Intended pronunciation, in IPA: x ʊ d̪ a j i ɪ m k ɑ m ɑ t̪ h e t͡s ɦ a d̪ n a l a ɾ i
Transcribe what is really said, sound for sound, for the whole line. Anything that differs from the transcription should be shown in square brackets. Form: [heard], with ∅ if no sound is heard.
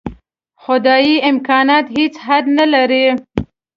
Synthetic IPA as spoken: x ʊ d̪ [ɑ] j i ɪ m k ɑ [n] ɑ t̪ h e t͡s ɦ a d̪ n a l a ɾ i